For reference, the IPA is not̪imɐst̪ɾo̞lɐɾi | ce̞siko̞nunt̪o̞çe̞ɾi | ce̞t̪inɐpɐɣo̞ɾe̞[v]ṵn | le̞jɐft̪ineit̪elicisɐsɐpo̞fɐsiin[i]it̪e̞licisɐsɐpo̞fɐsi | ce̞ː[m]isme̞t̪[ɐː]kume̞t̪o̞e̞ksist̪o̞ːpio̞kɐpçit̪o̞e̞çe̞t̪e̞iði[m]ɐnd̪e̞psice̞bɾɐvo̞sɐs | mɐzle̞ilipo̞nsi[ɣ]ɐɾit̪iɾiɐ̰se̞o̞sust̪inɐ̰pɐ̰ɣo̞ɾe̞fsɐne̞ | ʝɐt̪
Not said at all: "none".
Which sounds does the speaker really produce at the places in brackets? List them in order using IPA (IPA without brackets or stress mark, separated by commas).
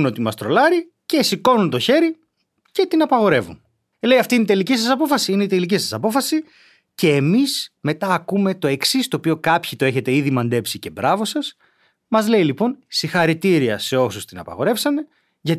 v, e, m, ɐː, m, x